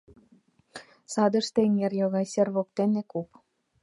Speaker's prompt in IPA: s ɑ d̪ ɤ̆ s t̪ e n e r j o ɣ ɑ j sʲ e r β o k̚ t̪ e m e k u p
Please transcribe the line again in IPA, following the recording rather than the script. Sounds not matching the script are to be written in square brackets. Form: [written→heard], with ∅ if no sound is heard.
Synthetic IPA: s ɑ d̪ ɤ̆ [s→ʃ] t̪ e [n→ŋ] e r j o ɣ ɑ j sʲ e r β o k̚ t̪ e [m→n] e k u p

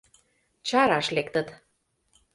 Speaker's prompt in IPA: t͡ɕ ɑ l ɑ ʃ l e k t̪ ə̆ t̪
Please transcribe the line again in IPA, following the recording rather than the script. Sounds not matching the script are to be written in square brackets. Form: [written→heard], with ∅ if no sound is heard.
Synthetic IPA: t͡ɕ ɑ [l→ɾ] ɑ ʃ l e k t̪ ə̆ t̪

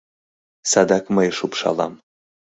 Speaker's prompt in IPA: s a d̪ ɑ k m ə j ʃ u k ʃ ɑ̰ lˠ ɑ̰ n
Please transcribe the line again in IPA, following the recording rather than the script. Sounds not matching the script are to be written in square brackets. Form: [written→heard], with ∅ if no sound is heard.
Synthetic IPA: s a d̪ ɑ k m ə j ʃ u [k→p] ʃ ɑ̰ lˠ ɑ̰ [n→m]

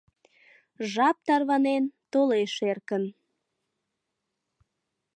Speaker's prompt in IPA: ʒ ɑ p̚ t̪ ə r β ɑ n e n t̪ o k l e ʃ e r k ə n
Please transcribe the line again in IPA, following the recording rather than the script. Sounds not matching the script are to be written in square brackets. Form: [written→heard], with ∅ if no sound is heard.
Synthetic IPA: ʒ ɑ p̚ t̪ [ə→ɑ] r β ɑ n e n t̪ o [k→∅] l e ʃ e r k ə n

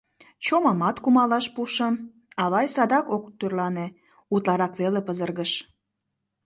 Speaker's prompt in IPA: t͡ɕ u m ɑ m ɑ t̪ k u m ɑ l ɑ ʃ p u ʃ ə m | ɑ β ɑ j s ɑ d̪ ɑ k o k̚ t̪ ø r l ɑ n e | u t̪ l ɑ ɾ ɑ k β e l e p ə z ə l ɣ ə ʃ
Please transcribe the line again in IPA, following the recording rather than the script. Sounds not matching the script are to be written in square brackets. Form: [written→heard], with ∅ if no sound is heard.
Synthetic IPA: t͡ɕ [u→o] m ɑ m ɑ t̪ k u m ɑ l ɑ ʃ p u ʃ ə m | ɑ β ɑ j s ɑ d̪ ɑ k o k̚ t̪ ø r l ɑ n e | u t̪ l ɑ ɾ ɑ k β e l e p ə z ə [l→r] ɣ ə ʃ

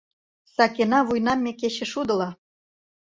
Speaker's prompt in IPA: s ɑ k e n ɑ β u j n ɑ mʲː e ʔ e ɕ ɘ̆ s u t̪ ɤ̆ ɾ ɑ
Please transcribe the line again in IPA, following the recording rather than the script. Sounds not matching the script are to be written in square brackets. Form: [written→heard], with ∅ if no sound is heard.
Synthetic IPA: s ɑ k e n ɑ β u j n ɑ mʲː e [ʔ→k] e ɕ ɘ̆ [s→ʃ] u [t̪→d̪] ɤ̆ [ɾ→l] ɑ

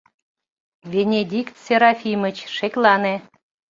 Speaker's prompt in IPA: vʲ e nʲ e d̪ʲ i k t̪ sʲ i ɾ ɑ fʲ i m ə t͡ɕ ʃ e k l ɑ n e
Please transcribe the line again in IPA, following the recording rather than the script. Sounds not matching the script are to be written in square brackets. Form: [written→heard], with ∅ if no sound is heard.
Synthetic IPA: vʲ e nʲ e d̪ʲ i k t̪ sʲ [i→e] ɾ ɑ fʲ i m ə t͡ɕ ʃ e k l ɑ n e

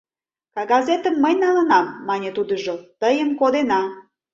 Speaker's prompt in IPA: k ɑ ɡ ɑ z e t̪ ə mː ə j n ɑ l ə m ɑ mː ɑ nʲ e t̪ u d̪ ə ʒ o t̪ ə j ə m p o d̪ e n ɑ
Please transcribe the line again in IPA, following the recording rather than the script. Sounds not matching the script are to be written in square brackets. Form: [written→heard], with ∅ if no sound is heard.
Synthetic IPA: k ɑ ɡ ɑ z e t̪ ə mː ə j n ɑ l ə [m→n] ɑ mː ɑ nʲ e t̪ u d̪ ə ʒ o t̪ ə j ə m [p→k] o d̪ e n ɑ

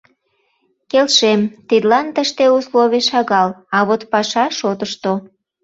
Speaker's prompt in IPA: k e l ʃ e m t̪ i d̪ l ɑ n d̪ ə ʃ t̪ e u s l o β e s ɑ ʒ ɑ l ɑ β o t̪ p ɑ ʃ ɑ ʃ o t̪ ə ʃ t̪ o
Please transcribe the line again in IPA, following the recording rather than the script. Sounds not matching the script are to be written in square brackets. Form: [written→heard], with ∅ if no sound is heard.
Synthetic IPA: k e l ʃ e m t̪ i d̪ l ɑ n [d̪→t̪] ə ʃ t̪ e u s l o β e [s→ʃ] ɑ [ʒ→ɣ] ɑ l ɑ β o t̪ p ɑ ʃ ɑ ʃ o t̪ ə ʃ t̪ o

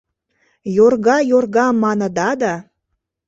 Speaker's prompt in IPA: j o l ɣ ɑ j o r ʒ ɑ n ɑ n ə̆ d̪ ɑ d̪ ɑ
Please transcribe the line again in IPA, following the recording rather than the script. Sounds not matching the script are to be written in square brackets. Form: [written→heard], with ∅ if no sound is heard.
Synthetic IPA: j o [l→r] ɣ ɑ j o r [ʒ→ɣ] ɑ [n→m] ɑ n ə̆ d̪ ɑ d̪ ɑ

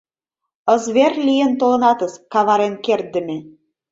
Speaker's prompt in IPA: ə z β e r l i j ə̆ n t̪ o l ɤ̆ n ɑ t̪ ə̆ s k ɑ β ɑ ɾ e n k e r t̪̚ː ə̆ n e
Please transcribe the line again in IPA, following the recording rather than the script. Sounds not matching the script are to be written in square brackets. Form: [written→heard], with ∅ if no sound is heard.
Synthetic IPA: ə z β e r l i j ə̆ n t̪ o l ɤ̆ n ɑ t̪ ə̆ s k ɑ β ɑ ɾ e n k e r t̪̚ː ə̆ [n→m] e

